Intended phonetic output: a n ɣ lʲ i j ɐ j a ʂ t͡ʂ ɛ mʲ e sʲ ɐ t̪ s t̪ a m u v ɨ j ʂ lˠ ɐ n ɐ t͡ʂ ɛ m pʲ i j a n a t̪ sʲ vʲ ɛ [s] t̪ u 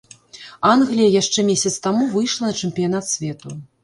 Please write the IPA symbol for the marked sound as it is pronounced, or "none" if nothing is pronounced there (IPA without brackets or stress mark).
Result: none